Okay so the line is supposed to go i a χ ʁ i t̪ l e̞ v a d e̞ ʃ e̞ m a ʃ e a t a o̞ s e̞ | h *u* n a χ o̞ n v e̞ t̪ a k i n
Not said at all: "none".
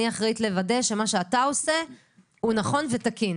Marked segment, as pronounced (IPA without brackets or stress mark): u